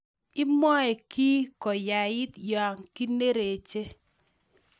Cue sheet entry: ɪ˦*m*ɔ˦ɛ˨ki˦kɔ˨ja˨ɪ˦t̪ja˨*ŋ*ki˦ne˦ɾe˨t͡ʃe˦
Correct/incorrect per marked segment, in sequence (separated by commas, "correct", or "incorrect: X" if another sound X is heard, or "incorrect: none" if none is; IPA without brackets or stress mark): correct, correct